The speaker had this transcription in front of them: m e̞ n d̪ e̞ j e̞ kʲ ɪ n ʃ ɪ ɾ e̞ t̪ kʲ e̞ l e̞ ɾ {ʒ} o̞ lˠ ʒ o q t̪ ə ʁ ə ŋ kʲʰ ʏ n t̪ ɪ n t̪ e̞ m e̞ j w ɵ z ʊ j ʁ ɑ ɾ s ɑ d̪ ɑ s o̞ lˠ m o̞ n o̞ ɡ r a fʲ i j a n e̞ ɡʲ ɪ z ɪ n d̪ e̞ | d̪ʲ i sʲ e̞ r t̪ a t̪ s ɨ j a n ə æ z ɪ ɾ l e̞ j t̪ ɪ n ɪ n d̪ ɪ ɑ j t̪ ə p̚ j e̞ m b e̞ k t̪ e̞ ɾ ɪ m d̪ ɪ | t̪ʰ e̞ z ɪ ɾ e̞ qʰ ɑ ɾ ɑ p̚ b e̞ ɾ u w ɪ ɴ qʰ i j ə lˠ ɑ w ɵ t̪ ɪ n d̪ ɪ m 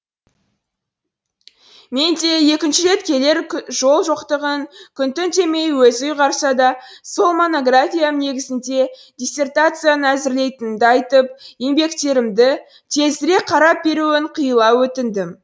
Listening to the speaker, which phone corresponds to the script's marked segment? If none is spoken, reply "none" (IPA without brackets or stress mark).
ʒ